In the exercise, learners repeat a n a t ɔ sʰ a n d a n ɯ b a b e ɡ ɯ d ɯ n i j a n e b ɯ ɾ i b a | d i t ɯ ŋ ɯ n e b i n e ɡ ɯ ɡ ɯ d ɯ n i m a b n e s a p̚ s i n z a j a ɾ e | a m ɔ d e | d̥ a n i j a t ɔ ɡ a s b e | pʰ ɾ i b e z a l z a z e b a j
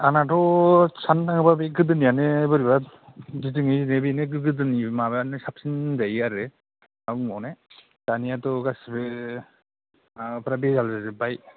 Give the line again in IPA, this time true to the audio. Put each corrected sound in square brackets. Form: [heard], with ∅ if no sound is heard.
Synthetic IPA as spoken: a n a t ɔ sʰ a n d a [ŋ] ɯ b a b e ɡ ɯ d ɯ n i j a n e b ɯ ɾ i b a | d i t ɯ ŋ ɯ n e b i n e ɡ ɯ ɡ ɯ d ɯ n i m a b n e s a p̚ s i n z a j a ɾ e | a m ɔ [n] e | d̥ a n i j a t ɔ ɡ a s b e | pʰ ɾ [a] b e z a l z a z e b a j

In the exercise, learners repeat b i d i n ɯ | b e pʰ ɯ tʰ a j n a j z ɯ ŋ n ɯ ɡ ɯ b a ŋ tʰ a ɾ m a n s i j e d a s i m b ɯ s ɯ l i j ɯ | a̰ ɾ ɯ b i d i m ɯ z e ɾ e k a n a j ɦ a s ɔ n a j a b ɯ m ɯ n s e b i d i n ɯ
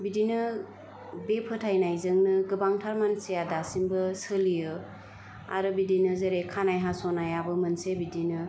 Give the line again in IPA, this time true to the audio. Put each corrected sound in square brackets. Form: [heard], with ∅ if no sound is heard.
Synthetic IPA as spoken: b i d i n ɯ | b e pʰ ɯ tʰ a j n a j z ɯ ŋ n ɯ ɡ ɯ b a ŋ tʰ a ɾ m a n s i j [a] d a s i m b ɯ s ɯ l i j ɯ | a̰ ɾ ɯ b i d i [n] ɯ z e ɾ e [kʰ] a n a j ɦ a s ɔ n a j a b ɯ m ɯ n s e b i d i n ɯ

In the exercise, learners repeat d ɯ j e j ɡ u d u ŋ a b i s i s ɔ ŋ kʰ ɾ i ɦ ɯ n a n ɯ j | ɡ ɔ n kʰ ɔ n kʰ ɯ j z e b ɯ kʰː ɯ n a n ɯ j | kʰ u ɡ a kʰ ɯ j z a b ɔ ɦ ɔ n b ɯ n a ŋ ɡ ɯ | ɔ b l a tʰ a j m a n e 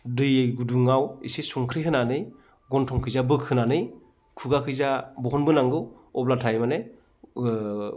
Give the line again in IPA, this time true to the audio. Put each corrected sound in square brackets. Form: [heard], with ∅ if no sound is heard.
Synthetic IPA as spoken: d ɯ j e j ɡ u d u ŋ a [w] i s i s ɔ ŋ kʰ ɾ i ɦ ɯ n a n ɯ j | ɡ ɔ n [tʰ] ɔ [ŋ] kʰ ɯ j z [a] b ɯ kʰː ɯ n a n ɯ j | kʰ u ɡ a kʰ ɯ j z a b ɔ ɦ ɔ n b ɯ n a ŋ ɡ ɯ | ɔ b l a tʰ a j m a n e

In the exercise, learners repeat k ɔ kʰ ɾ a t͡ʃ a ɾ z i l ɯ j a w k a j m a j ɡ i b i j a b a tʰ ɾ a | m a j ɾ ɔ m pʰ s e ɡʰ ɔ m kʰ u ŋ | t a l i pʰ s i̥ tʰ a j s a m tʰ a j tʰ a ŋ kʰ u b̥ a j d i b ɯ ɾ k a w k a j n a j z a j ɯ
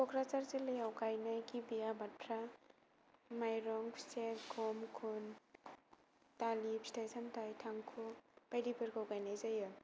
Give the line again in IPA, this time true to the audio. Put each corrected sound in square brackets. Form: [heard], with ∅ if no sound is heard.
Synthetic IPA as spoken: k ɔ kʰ ɾ a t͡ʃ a ɾ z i l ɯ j a w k a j [n] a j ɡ i b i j a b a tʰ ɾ a | m a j ɾ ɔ [ŋ] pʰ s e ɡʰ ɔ m kʰ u [n] | t a l i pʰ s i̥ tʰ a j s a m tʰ a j tʰ a ŋ kʰ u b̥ a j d i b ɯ ɾ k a w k a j n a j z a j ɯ

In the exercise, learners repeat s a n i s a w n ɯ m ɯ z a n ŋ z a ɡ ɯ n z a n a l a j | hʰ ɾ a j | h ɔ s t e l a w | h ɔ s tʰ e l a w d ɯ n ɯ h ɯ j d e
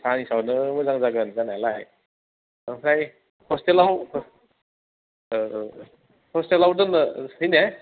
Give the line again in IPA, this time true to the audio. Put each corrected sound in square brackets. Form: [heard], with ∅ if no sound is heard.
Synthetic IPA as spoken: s a n i s a w n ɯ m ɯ z a [∅] ŋ z a ɡ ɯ n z a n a l a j | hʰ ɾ a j | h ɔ s t e l a w | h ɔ s [t] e l a w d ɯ n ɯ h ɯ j [n] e

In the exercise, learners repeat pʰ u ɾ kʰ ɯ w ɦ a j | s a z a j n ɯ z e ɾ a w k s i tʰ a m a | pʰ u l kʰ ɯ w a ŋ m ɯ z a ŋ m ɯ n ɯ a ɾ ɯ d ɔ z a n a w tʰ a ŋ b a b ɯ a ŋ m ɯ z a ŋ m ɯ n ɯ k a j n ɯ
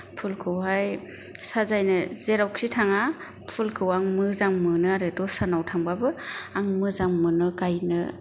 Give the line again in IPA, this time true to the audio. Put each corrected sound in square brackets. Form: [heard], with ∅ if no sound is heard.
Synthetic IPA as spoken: pʰ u [l] kʰ ɯ w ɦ a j | s a z a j n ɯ z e ɾ a w k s i tʰ a [ŋ] a | pʰ u l kʰ ɯ w a ŋ m ɯ z a ŋ m ɯ n ɯ a ɾ ɯ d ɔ [s] a n a w tʰ a ŋ b a b ɯ a ŋ m ɯ z a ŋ m ɯ n ɯ k a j n ɯ

